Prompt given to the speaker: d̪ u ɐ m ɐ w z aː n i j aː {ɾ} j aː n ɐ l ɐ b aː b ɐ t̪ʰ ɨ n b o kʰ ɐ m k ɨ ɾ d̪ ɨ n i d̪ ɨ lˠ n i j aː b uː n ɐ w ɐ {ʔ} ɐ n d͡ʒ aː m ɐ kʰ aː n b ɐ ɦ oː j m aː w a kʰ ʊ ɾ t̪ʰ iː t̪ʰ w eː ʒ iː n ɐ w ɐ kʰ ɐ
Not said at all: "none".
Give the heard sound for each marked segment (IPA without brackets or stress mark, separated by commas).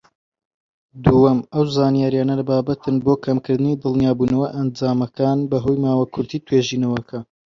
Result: ɾ, ʔ